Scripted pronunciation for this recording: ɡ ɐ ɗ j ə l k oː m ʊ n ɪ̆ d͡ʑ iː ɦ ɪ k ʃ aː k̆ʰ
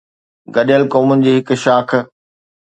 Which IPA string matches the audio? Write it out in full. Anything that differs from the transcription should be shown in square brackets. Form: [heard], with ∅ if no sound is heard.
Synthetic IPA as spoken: ɡ ɐ ɗ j ə l k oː m ʊ n ɪ̆ d͡ʑ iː ɦ ɪ k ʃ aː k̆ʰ